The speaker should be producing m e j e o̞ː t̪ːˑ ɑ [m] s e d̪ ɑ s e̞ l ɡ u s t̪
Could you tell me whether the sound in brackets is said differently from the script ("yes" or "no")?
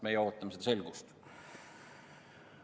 no